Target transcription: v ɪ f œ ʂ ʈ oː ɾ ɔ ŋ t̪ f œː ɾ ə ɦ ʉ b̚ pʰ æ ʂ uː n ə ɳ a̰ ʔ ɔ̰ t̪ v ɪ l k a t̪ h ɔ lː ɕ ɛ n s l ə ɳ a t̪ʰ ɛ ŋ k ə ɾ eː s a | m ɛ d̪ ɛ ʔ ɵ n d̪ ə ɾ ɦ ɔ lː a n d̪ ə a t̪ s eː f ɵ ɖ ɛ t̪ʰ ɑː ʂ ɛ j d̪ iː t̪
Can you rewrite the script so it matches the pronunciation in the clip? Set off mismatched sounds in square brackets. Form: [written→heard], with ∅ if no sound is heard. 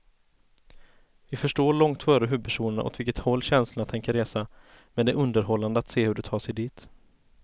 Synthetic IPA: v ɪ f œ ʂ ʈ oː [ɾ→ɭ] ɔ ŋ t̪ f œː ɾ ə ɦ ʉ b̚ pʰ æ ʂ uː n ə ɳ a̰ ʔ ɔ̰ t̪ v ɪ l k [a→ə] t̪ h ɔ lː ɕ ɛ n s l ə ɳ a t̪ʰ ɛ ŋ k ə ɾ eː s a | m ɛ d̪ ɛ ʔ ɵ n d̪ ə ɾ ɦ ɔ lː a n d̪ ə a t̪ s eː [f→h] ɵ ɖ ɛ t̪ʰ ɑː ʂ ɛ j d̪ iː t̪